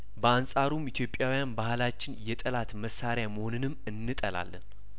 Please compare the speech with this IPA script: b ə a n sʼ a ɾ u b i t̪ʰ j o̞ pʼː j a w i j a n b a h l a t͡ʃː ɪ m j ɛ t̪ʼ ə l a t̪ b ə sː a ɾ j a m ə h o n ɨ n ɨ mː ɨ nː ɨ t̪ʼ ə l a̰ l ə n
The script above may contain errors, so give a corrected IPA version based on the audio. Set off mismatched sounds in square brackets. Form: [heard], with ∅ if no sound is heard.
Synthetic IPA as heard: b ə a n sʼ a ɾ u [m] i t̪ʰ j o̞ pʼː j a w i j a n b a h l a t͡ʃː ɪ [n] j ɛ t̪ʼ ə l a t̪ [m] ə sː a ɾ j a m ə h o n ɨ n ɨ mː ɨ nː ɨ t̪ʼ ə l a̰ [lː] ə n